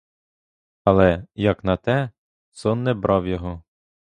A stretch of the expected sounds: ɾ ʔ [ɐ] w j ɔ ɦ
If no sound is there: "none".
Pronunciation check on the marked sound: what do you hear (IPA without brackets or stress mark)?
ɑ